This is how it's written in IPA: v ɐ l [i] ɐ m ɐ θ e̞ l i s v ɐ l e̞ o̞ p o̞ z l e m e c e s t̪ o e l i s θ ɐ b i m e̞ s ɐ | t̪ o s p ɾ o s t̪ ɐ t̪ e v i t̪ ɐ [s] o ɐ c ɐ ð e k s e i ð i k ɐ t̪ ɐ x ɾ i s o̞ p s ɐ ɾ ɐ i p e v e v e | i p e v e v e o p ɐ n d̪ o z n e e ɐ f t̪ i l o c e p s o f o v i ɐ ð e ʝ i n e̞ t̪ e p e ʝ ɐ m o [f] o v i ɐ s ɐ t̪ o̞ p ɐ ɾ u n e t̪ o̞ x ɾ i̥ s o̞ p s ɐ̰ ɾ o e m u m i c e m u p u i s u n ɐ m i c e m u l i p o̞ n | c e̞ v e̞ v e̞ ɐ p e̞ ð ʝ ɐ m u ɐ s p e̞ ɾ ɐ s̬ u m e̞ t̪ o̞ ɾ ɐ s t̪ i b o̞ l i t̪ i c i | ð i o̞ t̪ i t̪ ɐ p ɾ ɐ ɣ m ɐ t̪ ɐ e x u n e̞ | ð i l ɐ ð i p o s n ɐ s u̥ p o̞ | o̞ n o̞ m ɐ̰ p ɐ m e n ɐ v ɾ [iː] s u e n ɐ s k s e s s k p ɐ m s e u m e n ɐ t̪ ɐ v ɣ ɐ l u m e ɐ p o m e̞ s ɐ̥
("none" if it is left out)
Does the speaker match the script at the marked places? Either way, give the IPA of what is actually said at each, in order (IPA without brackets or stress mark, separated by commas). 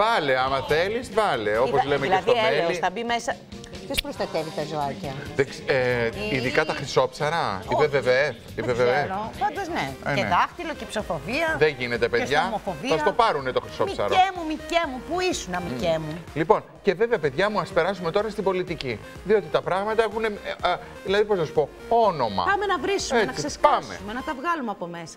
e, z, f, i